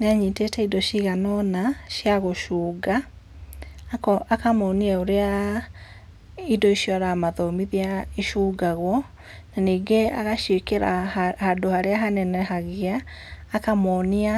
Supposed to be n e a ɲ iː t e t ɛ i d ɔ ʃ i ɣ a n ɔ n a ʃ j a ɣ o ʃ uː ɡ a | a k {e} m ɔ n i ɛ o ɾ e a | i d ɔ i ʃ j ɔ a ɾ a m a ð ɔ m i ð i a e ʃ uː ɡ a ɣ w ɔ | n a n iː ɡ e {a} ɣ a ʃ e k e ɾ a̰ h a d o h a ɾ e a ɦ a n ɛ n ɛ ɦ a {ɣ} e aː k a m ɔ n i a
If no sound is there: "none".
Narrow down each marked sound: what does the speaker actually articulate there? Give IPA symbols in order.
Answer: a, a, ɣ

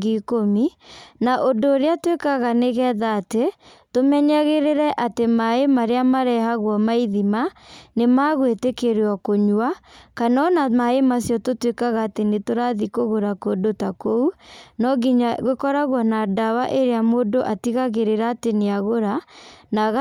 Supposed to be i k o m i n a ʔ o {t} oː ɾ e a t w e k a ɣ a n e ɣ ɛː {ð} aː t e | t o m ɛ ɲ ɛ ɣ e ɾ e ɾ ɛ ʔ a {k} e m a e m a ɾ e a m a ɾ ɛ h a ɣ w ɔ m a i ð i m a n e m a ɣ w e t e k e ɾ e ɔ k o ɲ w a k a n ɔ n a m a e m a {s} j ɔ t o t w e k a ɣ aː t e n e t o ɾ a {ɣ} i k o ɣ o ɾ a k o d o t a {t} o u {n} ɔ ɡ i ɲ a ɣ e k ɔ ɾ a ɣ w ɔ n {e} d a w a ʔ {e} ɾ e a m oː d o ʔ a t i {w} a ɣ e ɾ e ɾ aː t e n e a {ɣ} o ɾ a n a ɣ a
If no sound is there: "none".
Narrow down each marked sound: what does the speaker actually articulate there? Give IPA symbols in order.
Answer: d, ð, t, s, ð, k, n, a, e, ɣ, ɣ

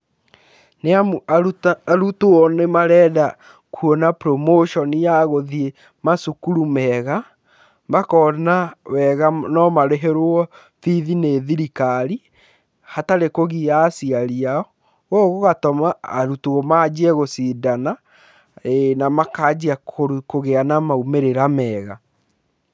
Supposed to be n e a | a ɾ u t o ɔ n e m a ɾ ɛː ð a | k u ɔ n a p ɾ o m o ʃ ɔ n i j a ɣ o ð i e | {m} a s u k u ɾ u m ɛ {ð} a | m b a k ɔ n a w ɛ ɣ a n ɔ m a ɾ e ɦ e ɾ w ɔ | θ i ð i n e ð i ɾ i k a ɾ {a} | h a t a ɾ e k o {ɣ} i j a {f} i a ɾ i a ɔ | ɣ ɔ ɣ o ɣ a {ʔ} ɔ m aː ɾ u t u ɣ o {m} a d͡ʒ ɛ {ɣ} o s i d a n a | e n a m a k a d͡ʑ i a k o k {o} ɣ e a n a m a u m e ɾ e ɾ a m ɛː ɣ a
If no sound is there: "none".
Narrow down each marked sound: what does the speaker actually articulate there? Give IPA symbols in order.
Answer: m, ɣ, i, ɣ, s, t, m, ɣ, o

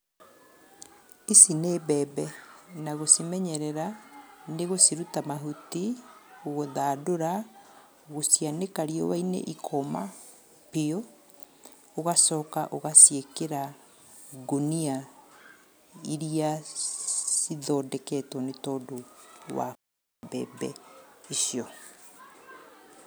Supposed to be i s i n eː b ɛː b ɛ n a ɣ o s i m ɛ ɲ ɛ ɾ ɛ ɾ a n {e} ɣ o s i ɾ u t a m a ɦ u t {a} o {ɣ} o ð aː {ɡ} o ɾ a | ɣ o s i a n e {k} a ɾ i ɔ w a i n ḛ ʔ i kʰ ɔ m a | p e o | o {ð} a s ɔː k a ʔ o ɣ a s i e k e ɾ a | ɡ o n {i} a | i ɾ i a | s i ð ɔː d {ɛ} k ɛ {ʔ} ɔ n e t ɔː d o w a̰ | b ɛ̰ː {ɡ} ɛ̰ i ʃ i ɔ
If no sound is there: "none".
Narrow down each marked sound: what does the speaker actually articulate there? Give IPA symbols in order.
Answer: e, i, ɣ, d, k, ɣ, i, ɛ, t, b

